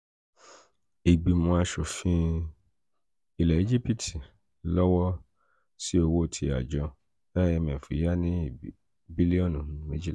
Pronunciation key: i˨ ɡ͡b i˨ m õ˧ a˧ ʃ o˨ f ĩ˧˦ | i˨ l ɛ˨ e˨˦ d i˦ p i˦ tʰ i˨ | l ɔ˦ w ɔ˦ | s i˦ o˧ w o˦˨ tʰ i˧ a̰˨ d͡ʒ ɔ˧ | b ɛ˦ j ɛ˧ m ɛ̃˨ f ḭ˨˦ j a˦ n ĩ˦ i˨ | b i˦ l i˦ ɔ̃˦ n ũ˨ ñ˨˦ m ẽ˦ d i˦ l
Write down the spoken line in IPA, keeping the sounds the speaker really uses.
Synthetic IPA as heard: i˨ ɡ͡b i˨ m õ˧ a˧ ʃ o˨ f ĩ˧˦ | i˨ l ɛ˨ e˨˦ d͡ʒ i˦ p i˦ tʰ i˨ | l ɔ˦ w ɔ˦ | s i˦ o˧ w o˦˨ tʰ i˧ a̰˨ d͡ʒ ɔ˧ | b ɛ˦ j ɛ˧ m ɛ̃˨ f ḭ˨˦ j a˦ n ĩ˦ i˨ | b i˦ l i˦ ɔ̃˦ n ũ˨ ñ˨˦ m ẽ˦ d͡ʒ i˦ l